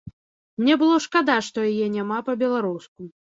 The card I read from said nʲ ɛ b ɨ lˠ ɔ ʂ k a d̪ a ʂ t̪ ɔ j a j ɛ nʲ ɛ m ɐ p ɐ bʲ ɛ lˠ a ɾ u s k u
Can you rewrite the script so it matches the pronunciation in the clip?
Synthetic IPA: nʲ ɛ b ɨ lˠ ɔ ʂ k a d̪ a ʂ t̪ ɔ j a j ɛ nʲ a m a p ɐ bʲ ɛ lˠ a ɾ u s k u

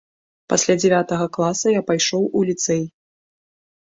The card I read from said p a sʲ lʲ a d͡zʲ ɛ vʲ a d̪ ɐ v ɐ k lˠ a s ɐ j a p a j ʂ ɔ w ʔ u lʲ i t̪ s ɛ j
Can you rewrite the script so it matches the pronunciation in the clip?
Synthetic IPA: p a sʲ lʲ a d͡zʲ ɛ vʲ a t̪ ɐ ɣ ɐ k lˠ a s ɐ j a p a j ʂ ɔ w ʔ u lʲ i t̪ s ɛ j

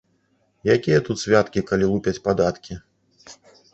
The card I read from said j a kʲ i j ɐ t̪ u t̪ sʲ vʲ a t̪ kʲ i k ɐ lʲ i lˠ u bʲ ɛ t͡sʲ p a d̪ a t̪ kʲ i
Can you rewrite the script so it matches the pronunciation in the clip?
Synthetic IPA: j a kʲ i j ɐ t̪ u t̪ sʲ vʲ a t̪ kʲ i k a lʲ i lˠ u pʲ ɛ t͡sʲ p a d̪ a t̪ kʲ i

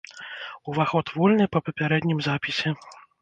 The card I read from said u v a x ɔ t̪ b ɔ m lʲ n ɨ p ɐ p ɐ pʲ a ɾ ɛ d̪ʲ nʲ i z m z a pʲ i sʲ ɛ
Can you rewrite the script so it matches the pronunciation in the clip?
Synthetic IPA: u v a x ɔ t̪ v ɔ lʲ n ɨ p ɐ p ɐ pʲ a ɾ ɛ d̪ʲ nʲ i m z a pʲ i sʲ ɛ

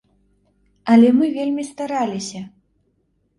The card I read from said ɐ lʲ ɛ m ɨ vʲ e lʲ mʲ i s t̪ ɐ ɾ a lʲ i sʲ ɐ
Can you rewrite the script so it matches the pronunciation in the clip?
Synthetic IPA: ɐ lʲ ɛ m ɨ vʲ e lʲ mʲ i s t̪ a ɾ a lʲ i sʲ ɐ

